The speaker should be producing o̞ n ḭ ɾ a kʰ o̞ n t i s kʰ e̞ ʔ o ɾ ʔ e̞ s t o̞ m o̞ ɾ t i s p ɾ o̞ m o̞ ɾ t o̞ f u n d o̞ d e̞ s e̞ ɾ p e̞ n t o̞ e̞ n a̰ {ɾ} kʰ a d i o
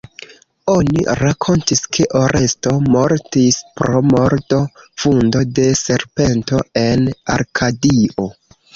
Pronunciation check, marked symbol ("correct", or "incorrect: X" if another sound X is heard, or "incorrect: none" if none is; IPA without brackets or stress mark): correct